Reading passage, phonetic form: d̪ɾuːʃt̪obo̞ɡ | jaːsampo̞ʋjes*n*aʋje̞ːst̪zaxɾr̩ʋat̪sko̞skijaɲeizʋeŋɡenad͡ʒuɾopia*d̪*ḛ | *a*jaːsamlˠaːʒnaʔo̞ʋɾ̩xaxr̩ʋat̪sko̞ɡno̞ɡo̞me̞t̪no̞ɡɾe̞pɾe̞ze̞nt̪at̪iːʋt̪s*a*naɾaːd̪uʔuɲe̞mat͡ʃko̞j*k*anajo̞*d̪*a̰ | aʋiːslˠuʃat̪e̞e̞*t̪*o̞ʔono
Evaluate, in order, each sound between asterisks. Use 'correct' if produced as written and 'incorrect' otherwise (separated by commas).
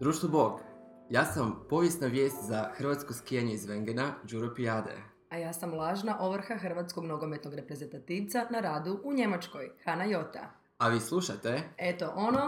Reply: correct, correct, correct, correct, incorrect, incorrect, correct